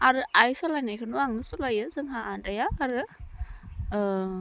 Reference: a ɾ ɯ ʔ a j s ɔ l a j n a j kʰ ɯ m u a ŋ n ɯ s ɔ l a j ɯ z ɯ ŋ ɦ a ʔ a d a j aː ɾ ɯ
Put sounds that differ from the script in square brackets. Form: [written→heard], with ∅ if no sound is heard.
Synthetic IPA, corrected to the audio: a ɾ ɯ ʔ a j s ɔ l a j n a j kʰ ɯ [m→n] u a ŋ n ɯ s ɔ l a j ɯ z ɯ ŋ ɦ a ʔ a d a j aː ɾ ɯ